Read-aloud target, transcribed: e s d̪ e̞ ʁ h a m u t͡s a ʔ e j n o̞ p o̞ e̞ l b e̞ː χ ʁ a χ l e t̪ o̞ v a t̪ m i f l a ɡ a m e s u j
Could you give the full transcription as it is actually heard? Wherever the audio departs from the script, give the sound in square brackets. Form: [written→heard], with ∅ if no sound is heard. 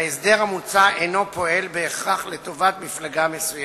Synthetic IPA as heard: e s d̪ e̞ ʁ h a m u t͡s a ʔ e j n o̞ p o̞ e̞ l b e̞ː χ ʁ a χ l e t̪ o̞ v a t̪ m i f l a ɡ a m e s u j